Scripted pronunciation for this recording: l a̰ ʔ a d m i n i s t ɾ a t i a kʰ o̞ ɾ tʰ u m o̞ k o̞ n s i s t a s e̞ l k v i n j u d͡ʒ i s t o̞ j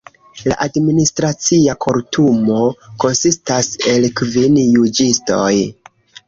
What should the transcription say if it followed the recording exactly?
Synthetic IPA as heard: l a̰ ʔ a d m i n i s t ɾ a t͡s i a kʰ o̞ ɾ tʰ u m o̞ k o̞ n s i s t a s e̞ l k v i n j u d͡ʒ i s t o̞ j